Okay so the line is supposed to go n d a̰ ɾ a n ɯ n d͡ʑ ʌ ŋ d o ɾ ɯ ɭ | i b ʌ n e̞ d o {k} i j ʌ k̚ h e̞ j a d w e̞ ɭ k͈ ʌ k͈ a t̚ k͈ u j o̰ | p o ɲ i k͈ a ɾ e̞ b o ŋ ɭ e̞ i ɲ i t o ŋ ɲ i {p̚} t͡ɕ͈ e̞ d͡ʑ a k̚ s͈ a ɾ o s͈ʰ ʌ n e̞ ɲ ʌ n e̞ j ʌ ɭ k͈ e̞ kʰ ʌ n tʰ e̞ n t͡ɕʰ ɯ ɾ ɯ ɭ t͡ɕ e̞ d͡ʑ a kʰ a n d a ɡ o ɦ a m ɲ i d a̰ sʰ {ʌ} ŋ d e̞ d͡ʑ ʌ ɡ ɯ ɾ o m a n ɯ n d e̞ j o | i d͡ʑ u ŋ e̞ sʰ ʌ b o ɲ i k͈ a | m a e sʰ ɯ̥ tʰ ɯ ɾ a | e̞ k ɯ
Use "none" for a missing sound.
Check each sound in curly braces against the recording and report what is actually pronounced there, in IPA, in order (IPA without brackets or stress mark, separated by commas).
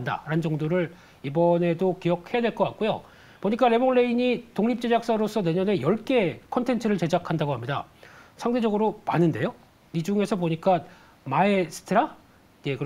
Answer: k, p̚, a